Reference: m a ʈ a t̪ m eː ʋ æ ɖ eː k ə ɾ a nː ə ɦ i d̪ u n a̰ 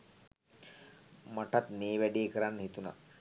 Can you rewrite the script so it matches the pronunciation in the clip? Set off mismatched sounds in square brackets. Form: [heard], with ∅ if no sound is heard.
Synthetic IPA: m a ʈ a t̪ m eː ʋ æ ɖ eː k ə ɾ a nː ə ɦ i [t̪] u n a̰